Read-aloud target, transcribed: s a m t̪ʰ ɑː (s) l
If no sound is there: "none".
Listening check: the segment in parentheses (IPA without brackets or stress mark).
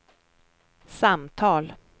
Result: none